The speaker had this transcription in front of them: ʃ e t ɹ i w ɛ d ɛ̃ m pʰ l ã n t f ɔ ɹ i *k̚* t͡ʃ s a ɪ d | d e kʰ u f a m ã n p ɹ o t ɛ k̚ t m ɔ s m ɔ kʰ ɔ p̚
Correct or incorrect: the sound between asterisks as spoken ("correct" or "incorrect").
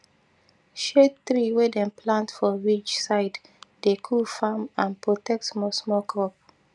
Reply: incorrect